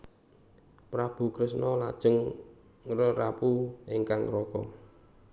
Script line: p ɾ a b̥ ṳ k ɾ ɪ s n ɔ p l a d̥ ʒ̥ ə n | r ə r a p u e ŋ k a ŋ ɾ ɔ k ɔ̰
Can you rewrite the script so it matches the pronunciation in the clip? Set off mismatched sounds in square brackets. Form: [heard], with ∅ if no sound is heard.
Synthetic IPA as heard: p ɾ a b̥ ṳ k ɾ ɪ s n ɔ [∅] l a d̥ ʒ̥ ə [ŋ] | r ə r a p u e ŋ k a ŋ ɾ ɔ k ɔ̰